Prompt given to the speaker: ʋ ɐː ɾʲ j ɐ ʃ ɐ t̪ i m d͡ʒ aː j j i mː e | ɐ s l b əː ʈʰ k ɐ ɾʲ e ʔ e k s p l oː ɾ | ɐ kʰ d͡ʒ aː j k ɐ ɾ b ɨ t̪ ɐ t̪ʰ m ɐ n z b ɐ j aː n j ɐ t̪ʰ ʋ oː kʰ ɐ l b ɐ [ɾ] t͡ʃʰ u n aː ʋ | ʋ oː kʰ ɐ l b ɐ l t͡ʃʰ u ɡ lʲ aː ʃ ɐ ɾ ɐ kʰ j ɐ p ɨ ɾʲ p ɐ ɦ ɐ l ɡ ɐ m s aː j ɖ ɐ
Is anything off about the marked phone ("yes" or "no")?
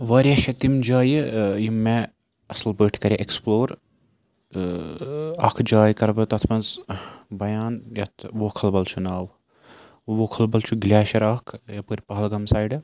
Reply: yes